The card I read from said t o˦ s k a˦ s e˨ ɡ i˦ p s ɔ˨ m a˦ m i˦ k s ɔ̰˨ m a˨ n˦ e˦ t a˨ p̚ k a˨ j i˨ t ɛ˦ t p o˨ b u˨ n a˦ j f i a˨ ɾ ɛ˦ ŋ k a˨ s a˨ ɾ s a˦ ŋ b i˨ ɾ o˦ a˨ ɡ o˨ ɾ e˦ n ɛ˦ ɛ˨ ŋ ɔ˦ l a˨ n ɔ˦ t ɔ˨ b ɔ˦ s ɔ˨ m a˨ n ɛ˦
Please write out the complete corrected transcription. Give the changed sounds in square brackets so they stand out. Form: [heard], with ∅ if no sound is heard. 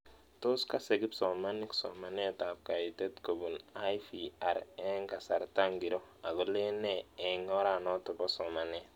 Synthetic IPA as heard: t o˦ s k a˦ s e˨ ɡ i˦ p s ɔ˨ m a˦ [n] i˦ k s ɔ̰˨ m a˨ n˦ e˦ t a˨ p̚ k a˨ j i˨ t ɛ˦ t [k] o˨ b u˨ n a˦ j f i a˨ ɾ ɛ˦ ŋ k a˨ s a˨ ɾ [t] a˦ ŋ [ɡ] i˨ ɾ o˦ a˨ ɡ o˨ [l] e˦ n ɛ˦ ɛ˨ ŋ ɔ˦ [ɾ] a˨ n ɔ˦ t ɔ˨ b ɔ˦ s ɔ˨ m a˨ n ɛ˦